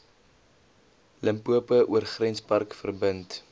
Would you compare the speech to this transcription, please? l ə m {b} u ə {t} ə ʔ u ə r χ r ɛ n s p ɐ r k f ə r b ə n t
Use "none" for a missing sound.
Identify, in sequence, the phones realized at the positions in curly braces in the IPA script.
p, p

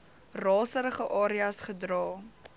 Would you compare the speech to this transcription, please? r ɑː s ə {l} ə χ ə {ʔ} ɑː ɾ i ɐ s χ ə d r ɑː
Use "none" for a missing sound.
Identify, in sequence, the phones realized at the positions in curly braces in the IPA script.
ɾ, ʔ

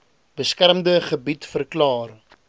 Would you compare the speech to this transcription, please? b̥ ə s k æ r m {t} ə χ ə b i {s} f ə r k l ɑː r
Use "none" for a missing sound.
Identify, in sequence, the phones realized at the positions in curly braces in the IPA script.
d, t

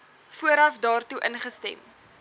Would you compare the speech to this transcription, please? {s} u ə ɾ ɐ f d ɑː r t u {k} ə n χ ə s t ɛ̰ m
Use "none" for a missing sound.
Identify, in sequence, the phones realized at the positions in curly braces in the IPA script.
f, ʔ

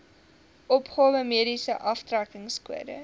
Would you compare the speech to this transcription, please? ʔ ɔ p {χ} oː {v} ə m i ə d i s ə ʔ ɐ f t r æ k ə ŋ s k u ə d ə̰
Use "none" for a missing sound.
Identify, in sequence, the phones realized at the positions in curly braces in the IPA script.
χ, v

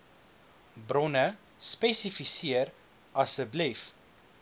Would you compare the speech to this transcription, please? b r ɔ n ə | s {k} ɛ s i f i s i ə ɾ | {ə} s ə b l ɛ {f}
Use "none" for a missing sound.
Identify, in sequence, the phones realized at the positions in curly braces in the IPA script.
p, ɐ, f

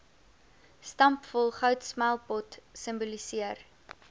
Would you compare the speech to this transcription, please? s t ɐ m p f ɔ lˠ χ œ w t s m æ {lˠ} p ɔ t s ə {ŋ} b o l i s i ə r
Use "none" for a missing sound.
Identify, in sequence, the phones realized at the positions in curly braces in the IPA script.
lˠ, m

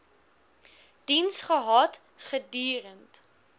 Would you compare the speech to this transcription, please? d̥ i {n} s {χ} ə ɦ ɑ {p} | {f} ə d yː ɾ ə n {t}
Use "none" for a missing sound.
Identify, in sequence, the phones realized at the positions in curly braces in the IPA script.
n, χ, t, χ, t

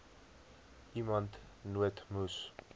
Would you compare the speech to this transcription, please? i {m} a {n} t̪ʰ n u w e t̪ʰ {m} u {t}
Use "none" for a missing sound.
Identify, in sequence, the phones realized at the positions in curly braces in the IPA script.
m, n, m, s

